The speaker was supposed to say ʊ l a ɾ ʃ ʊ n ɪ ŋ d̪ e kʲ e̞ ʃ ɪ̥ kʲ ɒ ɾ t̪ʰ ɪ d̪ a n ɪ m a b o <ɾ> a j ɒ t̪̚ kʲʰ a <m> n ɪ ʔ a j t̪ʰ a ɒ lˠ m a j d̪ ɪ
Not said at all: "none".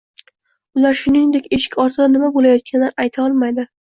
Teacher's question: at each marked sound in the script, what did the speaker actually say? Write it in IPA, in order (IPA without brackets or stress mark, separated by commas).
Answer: l, none